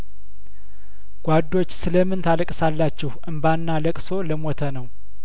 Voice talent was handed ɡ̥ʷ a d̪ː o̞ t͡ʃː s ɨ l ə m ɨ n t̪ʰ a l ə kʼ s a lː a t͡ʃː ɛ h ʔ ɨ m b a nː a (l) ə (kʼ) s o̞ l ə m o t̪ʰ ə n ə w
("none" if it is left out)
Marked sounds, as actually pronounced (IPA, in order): l, kʼ

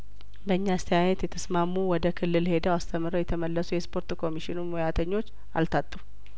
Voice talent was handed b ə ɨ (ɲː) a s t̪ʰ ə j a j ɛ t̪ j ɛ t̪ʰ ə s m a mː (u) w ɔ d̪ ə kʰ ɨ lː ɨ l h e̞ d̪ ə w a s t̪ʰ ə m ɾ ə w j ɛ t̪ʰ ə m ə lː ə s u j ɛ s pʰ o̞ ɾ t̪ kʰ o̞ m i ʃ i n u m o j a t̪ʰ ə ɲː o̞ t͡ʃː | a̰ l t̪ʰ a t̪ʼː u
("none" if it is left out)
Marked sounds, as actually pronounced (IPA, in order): ɲː, u

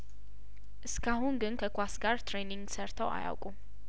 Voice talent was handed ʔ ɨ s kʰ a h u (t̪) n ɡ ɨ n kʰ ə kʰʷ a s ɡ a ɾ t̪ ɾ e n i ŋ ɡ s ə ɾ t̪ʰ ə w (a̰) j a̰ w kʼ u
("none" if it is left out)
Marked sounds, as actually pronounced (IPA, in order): none, a̰

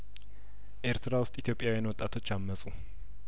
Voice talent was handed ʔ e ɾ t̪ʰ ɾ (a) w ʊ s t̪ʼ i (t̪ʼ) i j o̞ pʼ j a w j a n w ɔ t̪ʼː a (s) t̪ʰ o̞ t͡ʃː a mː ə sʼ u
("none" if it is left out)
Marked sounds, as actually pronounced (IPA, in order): a, t̪, none

